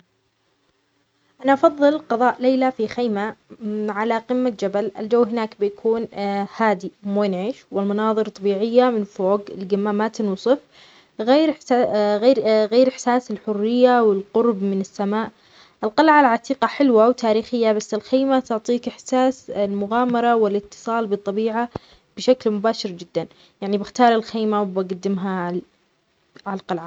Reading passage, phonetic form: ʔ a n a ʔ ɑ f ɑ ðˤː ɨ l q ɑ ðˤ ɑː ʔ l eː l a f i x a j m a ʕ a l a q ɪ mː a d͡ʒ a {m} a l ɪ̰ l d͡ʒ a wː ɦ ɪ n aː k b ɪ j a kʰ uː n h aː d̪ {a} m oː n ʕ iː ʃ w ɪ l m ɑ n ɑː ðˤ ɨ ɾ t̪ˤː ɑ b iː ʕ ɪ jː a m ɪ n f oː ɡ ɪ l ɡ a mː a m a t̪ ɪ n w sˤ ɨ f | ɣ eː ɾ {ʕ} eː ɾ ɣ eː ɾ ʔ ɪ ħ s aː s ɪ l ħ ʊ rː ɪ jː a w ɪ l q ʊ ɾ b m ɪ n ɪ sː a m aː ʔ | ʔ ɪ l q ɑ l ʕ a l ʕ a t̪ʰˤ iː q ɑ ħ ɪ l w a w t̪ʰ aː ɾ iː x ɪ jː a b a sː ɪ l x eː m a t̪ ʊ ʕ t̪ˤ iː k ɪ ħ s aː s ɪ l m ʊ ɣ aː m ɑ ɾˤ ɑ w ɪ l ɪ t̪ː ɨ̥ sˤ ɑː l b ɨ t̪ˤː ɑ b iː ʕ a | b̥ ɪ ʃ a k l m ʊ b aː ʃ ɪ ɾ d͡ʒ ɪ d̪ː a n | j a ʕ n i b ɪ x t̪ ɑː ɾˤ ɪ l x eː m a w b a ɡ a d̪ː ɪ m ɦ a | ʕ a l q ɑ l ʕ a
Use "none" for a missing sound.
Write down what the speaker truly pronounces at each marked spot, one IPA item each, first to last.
b, i, ɣ

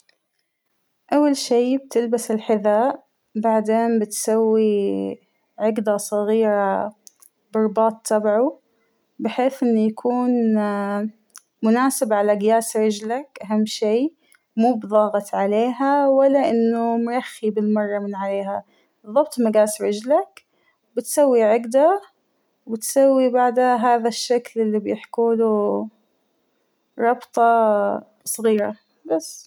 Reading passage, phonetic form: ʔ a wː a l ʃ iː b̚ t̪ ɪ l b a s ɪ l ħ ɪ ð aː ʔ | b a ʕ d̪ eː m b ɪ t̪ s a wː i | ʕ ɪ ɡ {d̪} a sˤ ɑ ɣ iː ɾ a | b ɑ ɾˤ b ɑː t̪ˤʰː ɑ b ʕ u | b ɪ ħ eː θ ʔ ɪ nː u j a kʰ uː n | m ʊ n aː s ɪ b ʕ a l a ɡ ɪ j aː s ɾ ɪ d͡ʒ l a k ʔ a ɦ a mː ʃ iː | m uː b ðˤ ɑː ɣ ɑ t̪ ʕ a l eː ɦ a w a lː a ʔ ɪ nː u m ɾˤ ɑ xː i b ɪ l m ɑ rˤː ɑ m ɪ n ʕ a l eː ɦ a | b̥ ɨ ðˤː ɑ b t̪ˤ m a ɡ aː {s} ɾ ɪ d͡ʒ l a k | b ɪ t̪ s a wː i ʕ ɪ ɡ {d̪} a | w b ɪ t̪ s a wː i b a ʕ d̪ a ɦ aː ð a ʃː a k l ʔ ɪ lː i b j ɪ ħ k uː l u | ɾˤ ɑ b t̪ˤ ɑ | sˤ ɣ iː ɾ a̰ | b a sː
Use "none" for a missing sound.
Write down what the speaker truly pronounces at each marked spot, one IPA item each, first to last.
d̪, s, d̪

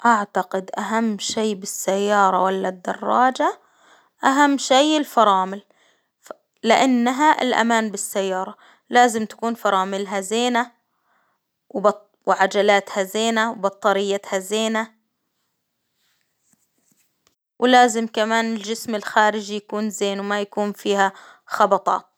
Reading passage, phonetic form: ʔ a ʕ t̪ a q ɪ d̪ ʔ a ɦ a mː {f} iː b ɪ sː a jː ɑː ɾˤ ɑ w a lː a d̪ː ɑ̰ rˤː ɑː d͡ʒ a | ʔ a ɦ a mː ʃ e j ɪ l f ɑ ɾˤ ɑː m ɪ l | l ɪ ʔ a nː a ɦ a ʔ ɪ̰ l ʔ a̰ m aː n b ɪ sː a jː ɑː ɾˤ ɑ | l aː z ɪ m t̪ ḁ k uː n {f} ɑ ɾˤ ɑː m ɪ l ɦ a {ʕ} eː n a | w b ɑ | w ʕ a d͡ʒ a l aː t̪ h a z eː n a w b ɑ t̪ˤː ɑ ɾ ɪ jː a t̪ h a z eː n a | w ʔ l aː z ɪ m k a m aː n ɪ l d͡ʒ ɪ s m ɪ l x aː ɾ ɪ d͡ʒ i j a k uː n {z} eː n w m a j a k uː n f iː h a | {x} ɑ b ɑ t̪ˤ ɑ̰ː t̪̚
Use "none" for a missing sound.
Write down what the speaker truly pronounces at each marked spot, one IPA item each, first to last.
ʃ, f, z, z, x

